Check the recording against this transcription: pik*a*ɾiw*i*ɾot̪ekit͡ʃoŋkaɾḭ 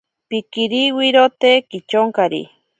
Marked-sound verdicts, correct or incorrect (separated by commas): incorrect, correct